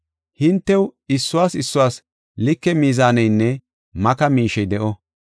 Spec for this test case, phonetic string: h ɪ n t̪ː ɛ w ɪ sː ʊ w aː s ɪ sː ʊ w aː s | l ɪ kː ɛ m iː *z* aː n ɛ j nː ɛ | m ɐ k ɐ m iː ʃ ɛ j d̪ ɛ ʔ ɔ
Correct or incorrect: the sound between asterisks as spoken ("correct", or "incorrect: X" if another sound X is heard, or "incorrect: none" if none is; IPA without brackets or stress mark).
correct